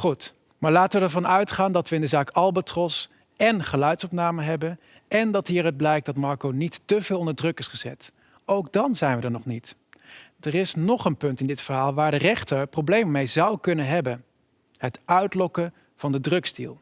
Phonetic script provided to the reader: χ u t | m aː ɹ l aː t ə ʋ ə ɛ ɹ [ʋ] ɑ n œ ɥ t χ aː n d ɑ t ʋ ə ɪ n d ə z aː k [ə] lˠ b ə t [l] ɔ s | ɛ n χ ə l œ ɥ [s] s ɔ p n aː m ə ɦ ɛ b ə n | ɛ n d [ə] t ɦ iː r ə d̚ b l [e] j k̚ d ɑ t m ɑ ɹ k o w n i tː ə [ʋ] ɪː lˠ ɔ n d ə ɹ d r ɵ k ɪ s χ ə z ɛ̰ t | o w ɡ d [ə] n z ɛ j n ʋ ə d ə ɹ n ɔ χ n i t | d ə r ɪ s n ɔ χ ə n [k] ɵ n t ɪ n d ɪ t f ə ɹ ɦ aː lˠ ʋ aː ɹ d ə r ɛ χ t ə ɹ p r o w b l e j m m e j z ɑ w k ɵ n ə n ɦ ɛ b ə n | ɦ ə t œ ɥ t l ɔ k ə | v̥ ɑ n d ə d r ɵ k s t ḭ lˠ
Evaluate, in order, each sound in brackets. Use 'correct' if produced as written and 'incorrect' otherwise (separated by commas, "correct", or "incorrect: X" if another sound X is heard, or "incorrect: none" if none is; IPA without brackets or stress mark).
incorrect: v, incorrect: ɑ, incorrect: r, incorrect: t, incorrect: ɑ, incorrect: ɛ, incorrect: v, incorrect: ɑ, incorrect: p